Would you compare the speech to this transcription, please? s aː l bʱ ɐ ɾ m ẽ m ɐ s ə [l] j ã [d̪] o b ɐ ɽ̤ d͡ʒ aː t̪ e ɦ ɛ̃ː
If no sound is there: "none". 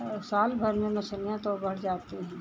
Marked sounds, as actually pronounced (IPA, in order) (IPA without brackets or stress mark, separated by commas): l, t̪